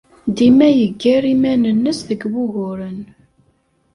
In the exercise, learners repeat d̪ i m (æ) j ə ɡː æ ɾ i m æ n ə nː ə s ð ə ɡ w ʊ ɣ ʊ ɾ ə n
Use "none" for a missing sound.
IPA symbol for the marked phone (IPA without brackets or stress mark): æ